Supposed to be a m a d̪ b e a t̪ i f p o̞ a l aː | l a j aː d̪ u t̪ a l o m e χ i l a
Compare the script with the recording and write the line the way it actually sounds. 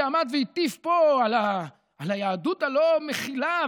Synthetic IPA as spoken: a m a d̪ v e i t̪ i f p o̞ a l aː | l a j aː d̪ u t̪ a l o m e χ i l a